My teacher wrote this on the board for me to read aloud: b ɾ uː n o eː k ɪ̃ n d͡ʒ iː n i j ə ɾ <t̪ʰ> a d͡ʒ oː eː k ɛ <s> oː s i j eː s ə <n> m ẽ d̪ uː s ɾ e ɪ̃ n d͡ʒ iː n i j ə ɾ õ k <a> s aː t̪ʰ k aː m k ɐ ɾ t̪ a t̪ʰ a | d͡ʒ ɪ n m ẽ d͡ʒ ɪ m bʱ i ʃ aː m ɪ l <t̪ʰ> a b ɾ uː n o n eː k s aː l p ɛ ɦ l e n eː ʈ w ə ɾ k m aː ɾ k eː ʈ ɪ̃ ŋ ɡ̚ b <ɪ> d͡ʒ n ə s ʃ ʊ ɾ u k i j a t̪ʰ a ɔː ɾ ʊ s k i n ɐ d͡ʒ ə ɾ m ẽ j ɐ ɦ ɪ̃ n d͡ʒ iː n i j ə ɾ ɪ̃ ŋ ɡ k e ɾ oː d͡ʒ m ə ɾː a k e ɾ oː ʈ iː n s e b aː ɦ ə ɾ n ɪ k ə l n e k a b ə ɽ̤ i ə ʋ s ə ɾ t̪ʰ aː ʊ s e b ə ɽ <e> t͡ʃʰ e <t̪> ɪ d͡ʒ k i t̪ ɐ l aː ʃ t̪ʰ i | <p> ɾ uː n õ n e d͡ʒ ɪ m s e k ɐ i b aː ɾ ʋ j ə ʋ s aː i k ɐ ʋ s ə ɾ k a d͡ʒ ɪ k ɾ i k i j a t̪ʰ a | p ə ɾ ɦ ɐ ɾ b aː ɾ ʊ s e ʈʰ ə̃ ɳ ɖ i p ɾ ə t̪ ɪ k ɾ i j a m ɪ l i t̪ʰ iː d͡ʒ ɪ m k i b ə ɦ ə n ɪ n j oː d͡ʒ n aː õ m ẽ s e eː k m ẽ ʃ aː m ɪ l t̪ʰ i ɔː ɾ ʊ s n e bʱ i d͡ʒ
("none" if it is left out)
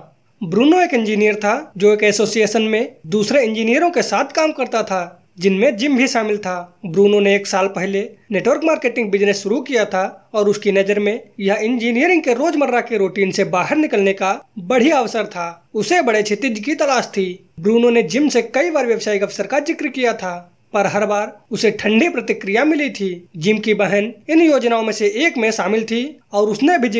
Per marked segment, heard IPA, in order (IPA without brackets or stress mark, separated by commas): t̪ʰ, s, n, e, t̪ʰ, ɪ, e, t̪, b